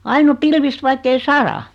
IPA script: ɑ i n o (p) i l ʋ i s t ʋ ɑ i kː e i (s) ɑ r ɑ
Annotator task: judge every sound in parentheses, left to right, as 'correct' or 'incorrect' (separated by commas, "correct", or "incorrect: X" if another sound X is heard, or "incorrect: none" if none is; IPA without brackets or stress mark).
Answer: correct, correct